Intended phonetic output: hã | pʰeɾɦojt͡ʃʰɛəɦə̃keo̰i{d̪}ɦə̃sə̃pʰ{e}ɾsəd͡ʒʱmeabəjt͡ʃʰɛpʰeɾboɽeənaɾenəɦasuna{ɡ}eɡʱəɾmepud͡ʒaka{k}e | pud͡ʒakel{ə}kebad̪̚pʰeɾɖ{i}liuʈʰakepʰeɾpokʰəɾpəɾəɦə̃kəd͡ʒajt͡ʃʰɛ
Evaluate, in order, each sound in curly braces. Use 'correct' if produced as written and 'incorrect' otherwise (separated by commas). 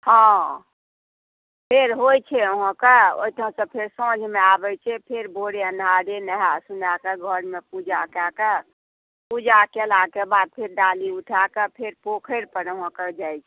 incorrect, correct, incorrect, correct, incorrect, incorrect